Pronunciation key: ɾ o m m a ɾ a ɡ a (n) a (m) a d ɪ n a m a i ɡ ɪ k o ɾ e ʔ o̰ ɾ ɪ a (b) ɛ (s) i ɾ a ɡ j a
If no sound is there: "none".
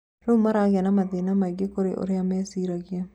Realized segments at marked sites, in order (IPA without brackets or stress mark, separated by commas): n, m, m, s